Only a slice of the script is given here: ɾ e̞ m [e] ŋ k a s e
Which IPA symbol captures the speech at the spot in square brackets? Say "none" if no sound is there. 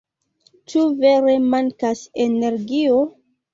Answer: a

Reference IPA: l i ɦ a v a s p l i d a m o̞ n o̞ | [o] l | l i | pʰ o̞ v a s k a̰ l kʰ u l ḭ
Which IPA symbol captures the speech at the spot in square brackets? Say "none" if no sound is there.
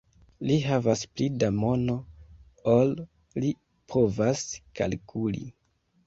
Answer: o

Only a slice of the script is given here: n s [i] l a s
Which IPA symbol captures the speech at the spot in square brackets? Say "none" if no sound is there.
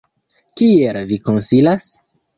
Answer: i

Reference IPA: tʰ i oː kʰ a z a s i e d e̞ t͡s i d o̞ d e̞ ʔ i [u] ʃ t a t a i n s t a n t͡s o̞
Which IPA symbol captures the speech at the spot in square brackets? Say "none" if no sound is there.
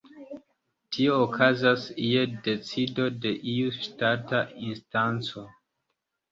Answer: u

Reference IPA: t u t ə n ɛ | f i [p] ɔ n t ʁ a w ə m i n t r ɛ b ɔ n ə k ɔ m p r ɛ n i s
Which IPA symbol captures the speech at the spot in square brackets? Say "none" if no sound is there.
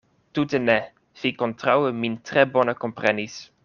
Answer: k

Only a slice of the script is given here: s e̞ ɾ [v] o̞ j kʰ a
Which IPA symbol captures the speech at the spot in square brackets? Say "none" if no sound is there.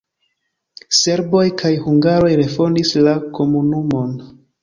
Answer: b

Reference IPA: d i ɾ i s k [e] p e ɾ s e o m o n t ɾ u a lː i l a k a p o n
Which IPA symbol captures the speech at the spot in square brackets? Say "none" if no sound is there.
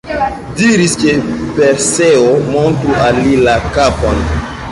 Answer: e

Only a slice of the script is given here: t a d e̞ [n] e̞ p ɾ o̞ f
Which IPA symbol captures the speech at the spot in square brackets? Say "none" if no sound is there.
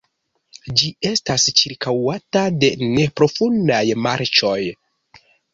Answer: n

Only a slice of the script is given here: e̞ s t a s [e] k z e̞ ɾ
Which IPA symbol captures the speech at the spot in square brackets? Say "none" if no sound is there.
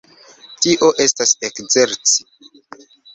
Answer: e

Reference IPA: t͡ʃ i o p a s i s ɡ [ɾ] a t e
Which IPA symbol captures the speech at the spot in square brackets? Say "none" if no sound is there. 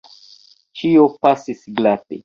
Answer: l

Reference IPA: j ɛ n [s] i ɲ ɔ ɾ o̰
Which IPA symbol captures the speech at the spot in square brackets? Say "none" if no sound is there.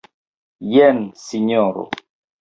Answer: s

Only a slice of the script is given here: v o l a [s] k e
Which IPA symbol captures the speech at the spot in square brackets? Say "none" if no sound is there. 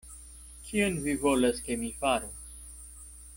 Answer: s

